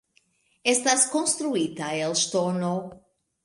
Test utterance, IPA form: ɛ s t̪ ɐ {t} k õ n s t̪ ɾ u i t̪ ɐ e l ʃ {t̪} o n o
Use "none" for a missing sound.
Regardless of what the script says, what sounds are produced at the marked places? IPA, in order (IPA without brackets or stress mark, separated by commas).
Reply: s, t̪